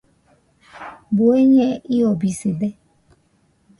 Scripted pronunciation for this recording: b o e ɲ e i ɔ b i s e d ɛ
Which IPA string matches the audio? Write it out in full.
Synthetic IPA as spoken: b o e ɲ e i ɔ b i s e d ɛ

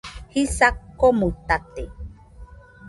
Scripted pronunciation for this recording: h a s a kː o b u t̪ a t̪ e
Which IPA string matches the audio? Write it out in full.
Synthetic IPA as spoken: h i s a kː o m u t̪ a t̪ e

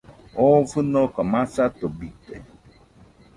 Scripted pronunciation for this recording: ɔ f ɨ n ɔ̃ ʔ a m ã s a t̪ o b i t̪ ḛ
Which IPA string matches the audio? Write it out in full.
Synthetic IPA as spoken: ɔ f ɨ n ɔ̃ k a m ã s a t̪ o b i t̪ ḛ

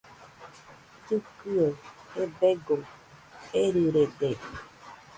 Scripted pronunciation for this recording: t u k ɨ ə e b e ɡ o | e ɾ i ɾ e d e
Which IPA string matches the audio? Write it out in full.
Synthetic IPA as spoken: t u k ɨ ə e b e ɡ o | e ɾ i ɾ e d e

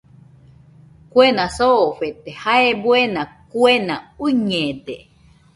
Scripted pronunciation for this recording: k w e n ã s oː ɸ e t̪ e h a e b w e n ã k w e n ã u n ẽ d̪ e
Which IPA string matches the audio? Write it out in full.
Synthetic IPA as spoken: k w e n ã s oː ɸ e t̪ e h a e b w e n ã k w e n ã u ɲ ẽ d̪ e

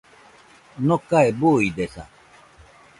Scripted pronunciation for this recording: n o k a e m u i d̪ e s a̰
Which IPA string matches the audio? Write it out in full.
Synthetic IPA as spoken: n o k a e b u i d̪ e s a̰

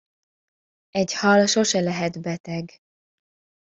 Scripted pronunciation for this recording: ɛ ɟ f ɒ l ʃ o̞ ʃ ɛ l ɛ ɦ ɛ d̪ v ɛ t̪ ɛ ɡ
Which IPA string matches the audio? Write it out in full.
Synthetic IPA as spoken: ɛ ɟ h ɒ l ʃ o̞ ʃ ɛ l ɛ ɦ ɛ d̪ b ɛ t̪ ɛ ɡ

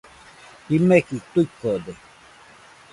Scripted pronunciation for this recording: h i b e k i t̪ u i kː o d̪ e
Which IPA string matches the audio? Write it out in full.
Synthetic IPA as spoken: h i m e k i t̪ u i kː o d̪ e

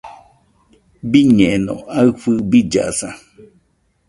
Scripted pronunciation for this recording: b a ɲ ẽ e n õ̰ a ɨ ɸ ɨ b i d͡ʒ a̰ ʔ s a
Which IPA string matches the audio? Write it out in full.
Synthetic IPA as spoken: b i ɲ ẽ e n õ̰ a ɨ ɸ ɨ b i d͡ʒ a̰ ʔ s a

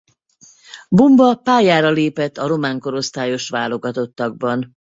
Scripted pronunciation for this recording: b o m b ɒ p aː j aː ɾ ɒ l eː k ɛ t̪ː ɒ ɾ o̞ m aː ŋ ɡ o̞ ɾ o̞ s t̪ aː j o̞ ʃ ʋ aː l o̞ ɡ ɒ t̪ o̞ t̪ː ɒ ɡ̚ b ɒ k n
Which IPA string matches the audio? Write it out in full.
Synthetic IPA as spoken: b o m b ɒ p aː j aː ɾ ɒ l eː p ɛ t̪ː ɒ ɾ o̞ m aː ŋ k o̞ ɾ o̞ s t̪ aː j o̞ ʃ ʋ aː l o̞ ɡ ɒ t̪ o̞ t̪ː ɒ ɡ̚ b ɒ n

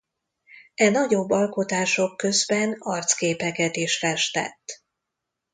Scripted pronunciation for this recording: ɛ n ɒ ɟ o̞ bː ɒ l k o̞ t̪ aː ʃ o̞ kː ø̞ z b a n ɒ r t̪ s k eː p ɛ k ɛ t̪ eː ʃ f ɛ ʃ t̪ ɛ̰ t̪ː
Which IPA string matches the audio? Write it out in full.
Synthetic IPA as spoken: ɛ n ɒ ɟ o̞ bː ɒ l k o̞ t̪ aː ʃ o̞ kː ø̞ z b ɛ n ɒ r t̪ s k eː p ɛ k ɛ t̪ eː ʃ f ɛ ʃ t̪ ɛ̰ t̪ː

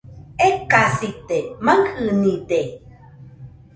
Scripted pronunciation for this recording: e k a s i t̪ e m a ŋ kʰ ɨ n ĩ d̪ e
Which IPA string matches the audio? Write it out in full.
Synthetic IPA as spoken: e k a s i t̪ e m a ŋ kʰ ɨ n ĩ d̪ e

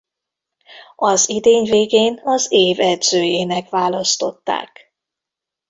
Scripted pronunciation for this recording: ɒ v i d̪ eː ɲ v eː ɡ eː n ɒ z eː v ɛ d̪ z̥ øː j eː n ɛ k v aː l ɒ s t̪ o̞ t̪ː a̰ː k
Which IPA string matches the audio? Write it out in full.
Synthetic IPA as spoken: ɒ z i d̪ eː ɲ v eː ɡ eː n ɒ z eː v ɛ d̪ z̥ øː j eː n ɛ k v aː l ɒ s t̪ o̞ t̪ː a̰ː k

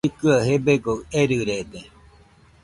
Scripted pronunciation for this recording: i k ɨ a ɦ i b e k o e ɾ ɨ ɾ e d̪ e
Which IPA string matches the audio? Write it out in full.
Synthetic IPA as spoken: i k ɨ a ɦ e b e ɡ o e ɾ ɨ ɾ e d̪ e

